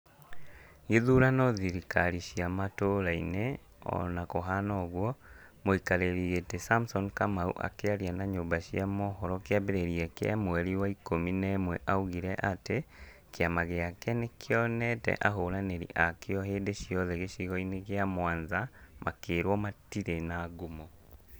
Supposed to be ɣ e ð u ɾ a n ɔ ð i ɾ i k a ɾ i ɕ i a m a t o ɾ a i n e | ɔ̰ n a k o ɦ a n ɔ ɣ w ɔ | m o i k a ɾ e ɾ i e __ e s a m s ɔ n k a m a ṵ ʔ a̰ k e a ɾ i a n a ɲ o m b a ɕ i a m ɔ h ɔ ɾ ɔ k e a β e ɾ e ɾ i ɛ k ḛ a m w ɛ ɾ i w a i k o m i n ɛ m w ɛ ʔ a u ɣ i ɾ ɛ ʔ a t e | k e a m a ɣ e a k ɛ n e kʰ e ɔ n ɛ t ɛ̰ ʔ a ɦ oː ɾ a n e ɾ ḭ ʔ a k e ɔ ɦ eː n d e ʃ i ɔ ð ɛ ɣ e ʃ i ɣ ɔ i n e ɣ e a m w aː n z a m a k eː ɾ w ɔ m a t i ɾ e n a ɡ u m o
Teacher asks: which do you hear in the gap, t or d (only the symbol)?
t